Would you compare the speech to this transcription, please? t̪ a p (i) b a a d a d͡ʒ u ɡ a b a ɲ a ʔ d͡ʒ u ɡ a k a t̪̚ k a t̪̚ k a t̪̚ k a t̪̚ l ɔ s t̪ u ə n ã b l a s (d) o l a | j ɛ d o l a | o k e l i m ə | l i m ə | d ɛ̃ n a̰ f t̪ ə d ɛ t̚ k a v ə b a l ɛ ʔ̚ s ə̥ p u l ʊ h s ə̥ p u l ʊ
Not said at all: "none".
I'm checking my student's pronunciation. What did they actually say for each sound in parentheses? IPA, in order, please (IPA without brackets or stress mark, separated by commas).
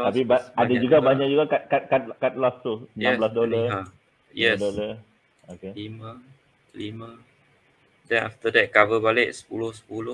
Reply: i, d